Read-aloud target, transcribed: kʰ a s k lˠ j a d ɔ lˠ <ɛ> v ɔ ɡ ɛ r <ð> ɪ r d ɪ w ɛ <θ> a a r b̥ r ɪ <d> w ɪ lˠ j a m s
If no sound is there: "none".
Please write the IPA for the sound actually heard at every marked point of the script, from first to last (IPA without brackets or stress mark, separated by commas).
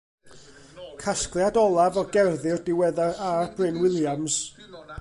a, ð, ð, n